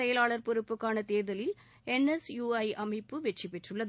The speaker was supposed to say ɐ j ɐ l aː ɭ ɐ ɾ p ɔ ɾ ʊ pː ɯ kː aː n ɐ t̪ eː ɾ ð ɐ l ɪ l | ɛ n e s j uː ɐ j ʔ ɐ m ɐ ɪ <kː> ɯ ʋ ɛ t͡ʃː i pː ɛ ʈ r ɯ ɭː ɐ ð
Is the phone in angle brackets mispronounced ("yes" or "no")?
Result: yes